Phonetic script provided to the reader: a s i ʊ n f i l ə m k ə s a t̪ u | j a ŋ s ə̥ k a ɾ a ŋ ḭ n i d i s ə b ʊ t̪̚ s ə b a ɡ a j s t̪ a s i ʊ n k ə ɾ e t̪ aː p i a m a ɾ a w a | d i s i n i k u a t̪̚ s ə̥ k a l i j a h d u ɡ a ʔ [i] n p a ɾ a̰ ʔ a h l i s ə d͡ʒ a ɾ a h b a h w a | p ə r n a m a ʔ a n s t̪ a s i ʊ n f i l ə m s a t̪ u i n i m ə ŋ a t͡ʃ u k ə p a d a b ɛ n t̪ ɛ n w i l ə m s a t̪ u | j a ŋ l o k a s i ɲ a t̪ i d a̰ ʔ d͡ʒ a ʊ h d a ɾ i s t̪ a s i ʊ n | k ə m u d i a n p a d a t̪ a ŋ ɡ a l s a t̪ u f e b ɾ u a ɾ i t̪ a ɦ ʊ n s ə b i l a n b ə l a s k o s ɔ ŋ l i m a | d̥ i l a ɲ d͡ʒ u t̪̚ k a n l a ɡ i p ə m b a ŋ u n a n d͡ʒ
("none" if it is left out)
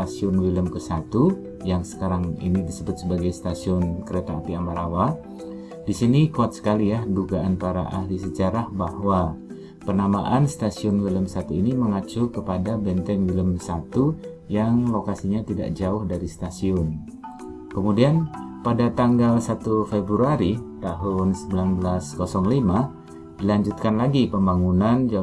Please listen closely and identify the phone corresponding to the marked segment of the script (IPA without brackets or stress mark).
a